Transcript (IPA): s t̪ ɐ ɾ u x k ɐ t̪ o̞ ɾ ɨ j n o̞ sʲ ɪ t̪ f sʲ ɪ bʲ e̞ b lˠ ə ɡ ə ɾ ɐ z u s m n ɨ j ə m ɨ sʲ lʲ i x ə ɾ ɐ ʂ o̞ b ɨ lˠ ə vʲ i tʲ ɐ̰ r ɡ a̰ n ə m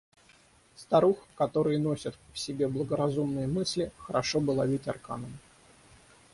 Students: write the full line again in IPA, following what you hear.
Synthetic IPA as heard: s t̪ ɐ ɾ u x k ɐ t̪ o̞ ɾ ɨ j n o̞ sʲ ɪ t̪ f sʲ ɪ bʲ e̞ b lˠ ə ɡ ə ɾ ɐ z u m n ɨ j ə m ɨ sʲ lʲ ɪ x ə ɾ ɐ ʂ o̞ b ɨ lˠ ɐ vʲ i tʲ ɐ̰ r k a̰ n ə m

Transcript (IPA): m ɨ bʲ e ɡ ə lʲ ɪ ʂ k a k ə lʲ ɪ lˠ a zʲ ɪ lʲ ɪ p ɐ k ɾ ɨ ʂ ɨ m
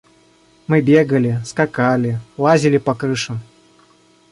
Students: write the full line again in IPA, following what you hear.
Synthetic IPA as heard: m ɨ bʲ e ɡ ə lʲ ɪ s k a k a lʲ ɪ lˠ a zʲ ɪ lʲ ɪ p ɐ k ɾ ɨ ʂ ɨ m

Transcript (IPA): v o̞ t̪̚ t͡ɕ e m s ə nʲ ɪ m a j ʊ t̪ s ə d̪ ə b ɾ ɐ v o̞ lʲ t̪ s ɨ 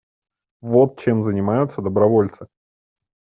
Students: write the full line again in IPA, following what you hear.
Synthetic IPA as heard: v o̞ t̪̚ t͡ɕ e m z ə nʲ ɪ m a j ʊ t̪ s ə d̪ ə b ɾ ɐ v o̞ lʲ t̪ s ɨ

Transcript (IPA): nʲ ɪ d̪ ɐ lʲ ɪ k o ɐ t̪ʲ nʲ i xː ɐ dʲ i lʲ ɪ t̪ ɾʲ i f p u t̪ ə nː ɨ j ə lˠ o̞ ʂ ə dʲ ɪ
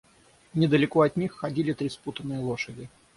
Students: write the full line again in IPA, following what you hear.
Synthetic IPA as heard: nʲ ɪ d̪ ə lʲ ɪ k o ɐ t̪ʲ nʲ i xː ɐ dʲ i lʲ ɪ t̪ ɾʲ i s p u t̪ ə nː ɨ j ə lˠ o̞ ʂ ə dʲ ɪ

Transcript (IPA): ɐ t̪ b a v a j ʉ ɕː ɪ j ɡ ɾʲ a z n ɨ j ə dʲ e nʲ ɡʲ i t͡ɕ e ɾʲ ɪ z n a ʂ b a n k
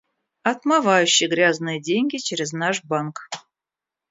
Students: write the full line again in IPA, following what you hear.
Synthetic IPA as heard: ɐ t̪ m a v a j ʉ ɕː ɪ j ɡ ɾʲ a z n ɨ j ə dʲ e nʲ ɡʲ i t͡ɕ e ɾʲ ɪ z n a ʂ b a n k

